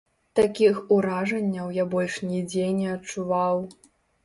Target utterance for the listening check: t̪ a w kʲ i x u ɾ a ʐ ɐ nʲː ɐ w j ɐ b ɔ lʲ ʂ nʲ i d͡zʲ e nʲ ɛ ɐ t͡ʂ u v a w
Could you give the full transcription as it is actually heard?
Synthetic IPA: t̪ a kʲ i x u ɾ a ʐ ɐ nʲː ɐ w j a b ɔ lʲ ʂ nʲ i d͡zʲ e nʲ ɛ ɐ t͡ʂ u v a w